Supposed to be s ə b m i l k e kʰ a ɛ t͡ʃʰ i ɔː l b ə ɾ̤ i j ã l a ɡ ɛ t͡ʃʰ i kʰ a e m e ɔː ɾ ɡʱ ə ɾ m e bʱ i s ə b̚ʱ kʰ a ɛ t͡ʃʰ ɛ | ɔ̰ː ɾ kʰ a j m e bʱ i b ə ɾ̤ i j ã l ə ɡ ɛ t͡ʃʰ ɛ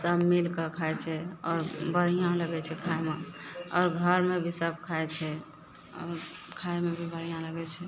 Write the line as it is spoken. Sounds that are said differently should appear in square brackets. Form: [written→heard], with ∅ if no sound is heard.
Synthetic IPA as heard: s ə b m i l k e kʰ a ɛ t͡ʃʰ [i→ɛ] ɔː [l→ɾ] b ə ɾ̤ i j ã l [a→ə] ɡ ɛ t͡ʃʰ [i→ɛ] kʰ a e m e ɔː ɾ ɡʱ ə ɾ m e bʱ i s ə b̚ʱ kʰ a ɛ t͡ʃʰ ɛ | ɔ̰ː ɾ kʰ a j m e bʱ i b ə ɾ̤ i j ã l ə ɡ ɛ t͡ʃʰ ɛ